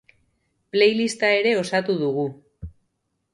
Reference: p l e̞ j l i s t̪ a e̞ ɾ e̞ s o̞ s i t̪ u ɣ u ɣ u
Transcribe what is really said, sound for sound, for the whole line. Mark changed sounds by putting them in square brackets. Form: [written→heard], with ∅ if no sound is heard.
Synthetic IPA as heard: p l e̞ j l i s t̪ a e̞ ɾ e̞ [s→∅] o̞ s [i→a] t̪ u [ɣ→ð] u ɣ u